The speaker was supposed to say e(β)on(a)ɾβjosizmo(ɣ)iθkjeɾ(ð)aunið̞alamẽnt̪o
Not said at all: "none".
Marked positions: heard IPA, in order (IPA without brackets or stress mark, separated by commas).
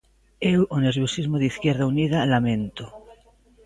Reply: w, e, ð, ð